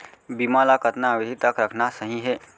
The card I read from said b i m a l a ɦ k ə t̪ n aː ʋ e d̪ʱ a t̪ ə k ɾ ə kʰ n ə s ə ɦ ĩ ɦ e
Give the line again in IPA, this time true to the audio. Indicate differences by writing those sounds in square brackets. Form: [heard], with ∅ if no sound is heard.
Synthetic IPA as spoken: b i m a l a [∅] k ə t̪ n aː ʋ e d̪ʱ [i] t̪ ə k ɾ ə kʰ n [a] s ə ɦ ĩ ɦ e

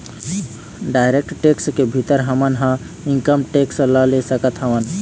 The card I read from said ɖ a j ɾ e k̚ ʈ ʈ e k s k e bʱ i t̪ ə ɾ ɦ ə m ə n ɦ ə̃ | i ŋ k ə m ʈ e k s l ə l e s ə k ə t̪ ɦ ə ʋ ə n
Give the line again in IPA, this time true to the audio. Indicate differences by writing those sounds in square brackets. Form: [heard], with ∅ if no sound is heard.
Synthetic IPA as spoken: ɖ a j ɾ e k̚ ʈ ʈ e k s k e bʱ i t̪ ə ɾ ɦ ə m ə n ɦ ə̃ | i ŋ k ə m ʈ e k s l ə l e s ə k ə t̪ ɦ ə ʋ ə n

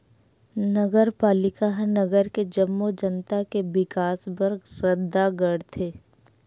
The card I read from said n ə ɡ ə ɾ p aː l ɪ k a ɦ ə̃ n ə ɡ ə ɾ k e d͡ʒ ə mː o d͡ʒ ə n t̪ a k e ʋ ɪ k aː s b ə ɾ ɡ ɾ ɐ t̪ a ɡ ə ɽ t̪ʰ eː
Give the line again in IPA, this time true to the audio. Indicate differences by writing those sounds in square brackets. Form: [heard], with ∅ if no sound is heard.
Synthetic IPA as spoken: n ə ɡ ə ɾ p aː l ɪ k a ɦ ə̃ n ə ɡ ə ɾ k e d͡ʒ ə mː o d͡ʒ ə n t̪ a k e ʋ ɪ k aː s b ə ɾ ɡ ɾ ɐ [d̪] a ɡ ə ɽ t̪ʰ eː

